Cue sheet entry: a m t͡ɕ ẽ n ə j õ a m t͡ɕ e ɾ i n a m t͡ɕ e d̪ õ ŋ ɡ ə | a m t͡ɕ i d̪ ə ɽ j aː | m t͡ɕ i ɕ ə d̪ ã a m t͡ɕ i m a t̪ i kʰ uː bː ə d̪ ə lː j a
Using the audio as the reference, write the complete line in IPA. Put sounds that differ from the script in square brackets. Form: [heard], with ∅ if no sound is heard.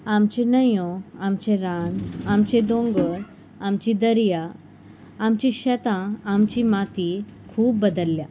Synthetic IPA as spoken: a m t͡ɕ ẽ n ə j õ a m t͡ɕ e ɾ [a] n a m t͡ɕ e d̪ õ ŋ ɡ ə | a m t͡ɕ i d̪ ə [ɾ] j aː | m t͡ɕ i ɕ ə [t̪] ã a m t͡ɕ i m a t̪ i kʰ uː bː ə d̪ ə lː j a